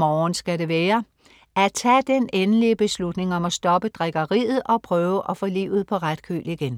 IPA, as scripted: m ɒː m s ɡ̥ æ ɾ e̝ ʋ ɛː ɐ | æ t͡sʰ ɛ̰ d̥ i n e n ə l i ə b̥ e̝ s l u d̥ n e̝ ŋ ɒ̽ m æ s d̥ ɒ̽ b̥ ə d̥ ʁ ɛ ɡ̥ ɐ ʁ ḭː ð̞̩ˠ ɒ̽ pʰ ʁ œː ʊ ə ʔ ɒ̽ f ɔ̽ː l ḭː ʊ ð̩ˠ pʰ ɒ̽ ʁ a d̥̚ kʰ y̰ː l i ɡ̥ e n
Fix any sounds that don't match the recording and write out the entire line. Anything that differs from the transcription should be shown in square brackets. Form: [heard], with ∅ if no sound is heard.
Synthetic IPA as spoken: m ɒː [n] s ɡ̥ æ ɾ e̝ ʋ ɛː ɐ | æ t͡sʰ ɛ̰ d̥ [e] n e n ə l i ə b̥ e̝ s l u d̥ n e̝ ŋ ɒ̽ m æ s d̥ ɒ̽ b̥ ə d̥ ʁ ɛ ɡ̥ ɐ ʁ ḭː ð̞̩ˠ ɒ̽ pʰ ʁ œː ʊ ə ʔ ɒ̽ f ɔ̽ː l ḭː ʊ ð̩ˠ pʰ ɒ̽ ʁ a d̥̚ kʰ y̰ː l i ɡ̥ e n